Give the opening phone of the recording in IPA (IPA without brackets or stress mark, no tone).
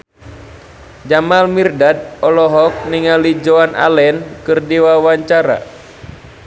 d͡ʒ